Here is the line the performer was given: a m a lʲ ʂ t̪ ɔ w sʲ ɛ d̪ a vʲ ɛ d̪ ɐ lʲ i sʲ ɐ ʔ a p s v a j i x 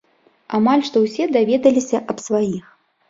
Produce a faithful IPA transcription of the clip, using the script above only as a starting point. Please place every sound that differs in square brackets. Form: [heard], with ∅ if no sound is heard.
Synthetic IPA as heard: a m a lʲ ʂ t̪ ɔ w sʲ ɛ d̪ a vʲ ɛ d̪ ɐ lʲ i sʲ ɐ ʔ [ɐ] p s v a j i x